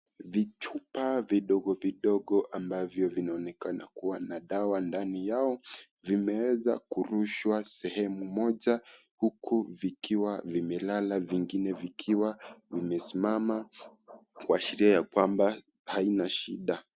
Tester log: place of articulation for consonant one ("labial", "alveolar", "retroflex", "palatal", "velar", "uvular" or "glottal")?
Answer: labial